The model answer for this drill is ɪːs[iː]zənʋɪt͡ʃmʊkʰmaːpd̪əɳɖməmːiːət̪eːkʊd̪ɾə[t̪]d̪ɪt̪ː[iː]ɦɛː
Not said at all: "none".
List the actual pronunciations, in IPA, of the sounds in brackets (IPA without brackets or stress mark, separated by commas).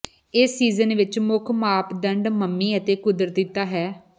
iː, t̪, aː